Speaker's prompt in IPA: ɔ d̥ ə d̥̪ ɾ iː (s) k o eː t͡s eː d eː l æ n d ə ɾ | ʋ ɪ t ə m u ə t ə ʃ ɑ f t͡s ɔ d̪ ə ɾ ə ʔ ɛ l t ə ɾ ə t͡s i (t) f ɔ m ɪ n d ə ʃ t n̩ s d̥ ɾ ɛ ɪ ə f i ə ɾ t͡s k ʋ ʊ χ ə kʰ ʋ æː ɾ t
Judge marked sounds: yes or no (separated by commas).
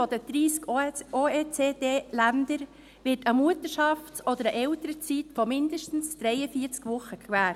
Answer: yes, yes